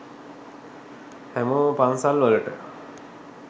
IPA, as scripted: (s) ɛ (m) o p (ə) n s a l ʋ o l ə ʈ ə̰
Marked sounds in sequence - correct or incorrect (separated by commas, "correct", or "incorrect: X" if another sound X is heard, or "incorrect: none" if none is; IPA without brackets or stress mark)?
incorrect: h, correct, incorrect: a